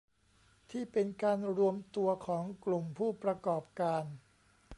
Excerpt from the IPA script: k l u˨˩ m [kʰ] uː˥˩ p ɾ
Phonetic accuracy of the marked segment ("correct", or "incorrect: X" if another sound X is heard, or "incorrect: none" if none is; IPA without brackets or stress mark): incorrect: pʰ